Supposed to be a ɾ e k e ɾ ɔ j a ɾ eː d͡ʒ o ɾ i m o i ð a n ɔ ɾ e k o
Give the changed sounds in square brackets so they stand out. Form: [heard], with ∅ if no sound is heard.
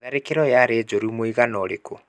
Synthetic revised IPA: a ɾ e k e ɾ ɔ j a ɾ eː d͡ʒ o ɾ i m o i [ɣ] a n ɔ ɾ e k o